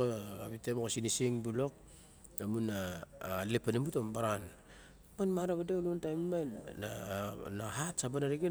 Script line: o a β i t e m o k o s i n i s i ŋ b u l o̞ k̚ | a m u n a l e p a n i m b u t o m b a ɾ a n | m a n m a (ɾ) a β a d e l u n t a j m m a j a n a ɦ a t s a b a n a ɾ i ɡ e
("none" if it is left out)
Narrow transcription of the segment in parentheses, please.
ɾ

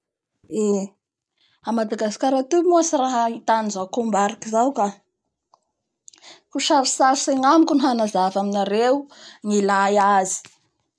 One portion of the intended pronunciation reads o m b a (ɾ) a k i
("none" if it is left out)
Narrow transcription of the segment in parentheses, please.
ɾ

